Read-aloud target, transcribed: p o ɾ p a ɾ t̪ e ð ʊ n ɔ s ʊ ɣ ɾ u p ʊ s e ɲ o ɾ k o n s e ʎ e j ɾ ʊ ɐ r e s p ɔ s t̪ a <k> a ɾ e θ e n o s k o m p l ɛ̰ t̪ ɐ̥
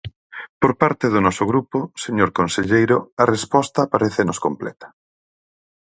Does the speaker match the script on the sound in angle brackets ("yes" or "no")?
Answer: no